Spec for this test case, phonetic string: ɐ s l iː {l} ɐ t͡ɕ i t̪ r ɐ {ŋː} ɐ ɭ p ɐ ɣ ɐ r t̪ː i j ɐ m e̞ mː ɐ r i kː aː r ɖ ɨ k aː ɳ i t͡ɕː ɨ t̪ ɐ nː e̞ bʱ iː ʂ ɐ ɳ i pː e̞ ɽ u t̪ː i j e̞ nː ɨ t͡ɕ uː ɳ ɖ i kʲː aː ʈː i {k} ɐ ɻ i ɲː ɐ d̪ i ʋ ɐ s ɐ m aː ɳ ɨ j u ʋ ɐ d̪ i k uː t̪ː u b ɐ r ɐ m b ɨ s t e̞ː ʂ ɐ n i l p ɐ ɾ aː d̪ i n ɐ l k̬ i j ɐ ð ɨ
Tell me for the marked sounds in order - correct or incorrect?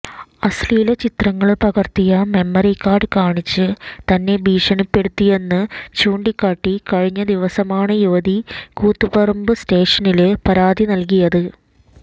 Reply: correct, correct, correct

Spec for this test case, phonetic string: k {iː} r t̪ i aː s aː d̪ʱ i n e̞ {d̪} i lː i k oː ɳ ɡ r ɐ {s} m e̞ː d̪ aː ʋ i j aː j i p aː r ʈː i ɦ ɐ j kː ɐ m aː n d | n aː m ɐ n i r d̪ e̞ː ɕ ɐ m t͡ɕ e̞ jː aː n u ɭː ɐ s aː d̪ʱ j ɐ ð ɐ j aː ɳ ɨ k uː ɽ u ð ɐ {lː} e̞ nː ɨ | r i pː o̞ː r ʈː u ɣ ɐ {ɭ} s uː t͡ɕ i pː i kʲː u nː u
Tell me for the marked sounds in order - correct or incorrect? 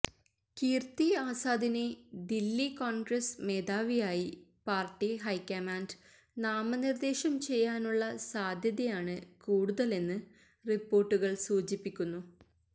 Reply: correct, correct, correct, incorrect: l, correct

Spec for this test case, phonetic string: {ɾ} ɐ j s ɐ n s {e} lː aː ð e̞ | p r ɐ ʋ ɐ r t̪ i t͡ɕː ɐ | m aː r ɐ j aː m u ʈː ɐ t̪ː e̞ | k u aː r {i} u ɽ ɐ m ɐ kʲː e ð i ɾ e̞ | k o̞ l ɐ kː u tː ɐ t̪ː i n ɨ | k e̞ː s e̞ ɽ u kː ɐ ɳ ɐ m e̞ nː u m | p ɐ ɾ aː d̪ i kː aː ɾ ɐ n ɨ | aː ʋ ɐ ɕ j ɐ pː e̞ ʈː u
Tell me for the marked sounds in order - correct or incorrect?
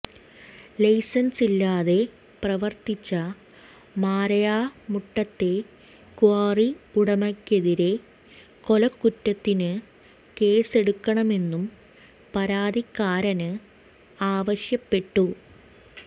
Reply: incorrect: l, incorrect: i, correct

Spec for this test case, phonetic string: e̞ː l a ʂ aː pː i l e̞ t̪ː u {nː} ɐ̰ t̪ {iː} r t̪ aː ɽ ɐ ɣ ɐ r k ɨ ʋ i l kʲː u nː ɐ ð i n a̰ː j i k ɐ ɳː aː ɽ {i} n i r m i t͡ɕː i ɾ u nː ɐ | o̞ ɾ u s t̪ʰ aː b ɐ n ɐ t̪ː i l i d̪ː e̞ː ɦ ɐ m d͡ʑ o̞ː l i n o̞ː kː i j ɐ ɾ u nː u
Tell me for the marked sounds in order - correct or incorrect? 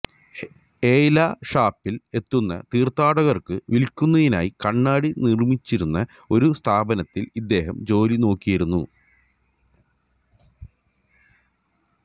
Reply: correct, correct, correct

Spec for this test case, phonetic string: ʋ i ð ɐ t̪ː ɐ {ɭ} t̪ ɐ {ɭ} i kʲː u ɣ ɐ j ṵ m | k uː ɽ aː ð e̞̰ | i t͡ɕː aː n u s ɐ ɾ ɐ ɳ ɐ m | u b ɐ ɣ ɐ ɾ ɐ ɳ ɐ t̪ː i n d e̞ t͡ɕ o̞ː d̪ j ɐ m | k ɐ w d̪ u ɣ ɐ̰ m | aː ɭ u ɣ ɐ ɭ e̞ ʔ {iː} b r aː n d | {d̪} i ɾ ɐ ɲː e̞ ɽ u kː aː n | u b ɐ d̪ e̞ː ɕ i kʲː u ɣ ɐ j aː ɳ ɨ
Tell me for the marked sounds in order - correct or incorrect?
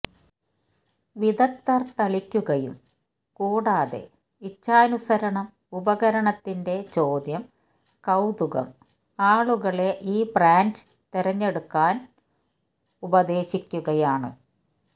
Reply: incorrect: r, correct, correct, incorrect: t̪

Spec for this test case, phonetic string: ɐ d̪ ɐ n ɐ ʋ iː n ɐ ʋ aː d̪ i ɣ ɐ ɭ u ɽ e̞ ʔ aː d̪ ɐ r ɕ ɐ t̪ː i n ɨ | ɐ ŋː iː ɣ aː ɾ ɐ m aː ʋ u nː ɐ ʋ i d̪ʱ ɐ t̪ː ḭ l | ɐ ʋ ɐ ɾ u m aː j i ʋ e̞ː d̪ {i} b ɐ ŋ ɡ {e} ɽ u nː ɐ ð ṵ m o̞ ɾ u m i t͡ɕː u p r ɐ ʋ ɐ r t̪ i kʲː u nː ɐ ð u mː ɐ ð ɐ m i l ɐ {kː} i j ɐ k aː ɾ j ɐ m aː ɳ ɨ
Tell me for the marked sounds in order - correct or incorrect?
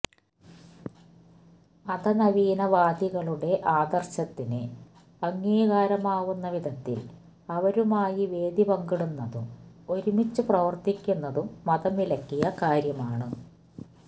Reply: correct, incorrect: i, correct

